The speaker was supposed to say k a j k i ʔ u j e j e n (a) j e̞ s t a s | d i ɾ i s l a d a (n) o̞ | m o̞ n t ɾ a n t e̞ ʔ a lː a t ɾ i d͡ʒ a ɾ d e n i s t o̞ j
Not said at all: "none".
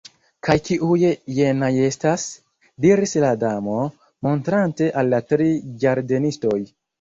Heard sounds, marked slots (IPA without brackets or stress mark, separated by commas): a, m